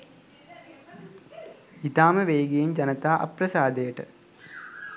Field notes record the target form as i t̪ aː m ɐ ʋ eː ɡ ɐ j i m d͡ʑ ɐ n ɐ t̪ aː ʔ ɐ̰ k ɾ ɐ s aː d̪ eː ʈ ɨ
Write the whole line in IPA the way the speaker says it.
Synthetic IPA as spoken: i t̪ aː m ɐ ʋ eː ɡ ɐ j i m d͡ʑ ɐ n ɐ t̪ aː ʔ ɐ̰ p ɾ ɐ s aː d̪ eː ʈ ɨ